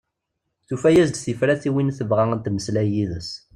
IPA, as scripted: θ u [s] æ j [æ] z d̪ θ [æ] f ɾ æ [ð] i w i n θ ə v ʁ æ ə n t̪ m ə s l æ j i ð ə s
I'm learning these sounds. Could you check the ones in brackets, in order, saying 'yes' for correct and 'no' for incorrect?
no, yes, no, no

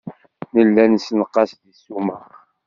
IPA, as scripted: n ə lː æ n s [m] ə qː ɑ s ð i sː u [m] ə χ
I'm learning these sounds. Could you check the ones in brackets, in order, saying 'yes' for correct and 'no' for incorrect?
no, yes

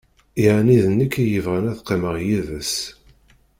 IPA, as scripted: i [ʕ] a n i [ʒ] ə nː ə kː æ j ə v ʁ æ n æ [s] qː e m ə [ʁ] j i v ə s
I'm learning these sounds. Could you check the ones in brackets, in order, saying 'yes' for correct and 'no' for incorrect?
yes, no, no, yes

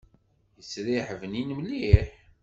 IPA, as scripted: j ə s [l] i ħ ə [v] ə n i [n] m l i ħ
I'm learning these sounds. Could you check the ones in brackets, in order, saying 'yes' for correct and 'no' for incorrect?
no, yes, yes

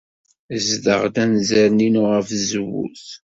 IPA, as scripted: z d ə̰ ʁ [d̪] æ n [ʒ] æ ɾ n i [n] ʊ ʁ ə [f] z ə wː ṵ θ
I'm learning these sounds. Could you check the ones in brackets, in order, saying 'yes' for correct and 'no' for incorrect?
yes, no, yes, yes

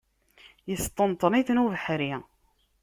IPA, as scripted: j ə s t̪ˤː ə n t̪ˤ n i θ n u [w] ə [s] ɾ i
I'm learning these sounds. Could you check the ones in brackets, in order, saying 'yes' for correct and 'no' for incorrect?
no, no

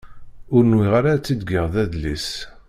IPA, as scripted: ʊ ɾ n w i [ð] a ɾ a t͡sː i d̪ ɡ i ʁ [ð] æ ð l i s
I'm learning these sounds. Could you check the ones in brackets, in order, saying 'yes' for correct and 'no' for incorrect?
no, yes

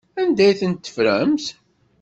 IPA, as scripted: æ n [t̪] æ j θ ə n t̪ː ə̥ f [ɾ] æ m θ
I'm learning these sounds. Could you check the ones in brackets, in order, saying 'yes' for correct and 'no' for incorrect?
no, yes

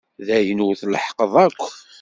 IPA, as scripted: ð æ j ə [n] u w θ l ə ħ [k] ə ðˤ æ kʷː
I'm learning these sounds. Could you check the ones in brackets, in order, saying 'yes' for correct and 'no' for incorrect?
yes, no

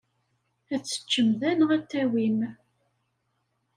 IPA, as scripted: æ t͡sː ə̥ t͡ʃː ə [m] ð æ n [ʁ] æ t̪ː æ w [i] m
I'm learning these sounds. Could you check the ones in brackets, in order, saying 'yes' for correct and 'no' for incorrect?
yes, yes, yes

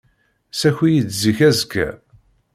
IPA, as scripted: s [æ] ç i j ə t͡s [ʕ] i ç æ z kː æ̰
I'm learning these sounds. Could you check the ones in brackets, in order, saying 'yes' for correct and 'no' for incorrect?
yes, no

